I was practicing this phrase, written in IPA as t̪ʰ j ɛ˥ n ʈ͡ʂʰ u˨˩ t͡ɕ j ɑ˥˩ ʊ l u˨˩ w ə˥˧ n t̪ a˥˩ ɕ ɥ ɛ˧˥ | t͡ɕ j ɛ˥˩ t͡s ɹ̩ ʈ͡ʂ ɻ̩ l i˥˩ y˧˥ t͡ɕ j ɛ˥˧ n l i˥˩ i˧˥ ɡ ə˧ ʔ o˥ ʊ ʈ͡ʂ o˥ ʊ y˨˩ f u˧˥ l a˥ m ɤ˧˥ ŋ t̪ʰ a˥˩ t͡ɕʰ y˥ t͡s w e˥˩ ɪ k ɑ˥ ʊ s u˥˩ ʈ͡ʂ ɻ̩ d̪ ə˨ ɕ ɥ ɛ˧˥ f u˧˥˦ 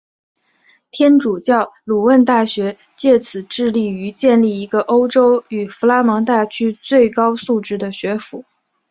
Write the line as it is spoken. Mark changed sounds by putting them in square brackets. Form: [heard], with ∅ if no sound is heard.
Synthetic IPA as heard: t̪ʰ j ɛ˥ n [ʈ͡ʂ] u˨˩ t͡ɕ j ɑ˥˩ ʊ l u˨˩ w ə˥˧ n t̪ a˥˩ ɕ ɥ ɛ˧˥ | t͡ɕ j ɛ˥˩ [t͡sʰ] ɹ̩ ʈ͡ʂ ɻ̩ l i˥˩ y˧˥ t͡ɕ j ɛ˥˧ n l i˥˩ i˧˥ ɡ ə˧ ʔ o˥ ʊ ʈ͡ʂ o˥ ʊ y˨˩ f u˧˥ l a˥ m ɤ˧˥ ŋ [t̪] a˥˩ t͡ɕʰ y˥ t͡s w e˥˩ ɪ k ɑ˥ ʊ s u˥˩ ʈ͡ʂ ɻ̩ d̪ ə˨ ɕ ɥ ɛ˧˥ f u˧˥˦